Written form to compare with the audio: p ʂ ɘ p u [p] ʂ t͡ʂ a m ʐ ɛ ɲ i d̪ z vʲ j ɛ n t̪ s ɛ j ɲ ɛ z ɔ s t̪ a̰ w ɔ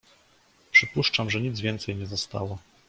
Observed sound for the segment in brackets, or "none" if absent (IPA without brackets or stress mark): none